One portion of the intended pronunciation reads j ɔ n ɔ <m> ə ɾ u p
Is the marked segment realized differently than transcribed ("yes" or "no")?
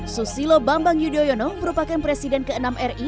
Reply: no